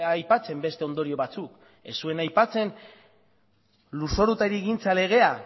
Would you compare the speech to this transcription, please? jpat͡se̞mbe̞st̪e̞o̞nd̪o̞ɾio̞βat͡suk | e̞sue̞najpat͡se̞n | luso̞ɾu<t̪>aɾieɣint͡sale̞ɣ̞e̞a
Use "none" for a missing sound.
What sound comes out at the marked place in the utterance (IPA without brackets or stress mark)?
t̪